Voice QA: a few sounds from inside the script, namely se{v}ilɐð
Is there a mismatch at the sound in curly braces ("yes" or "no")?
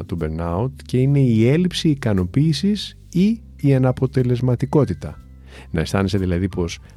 yes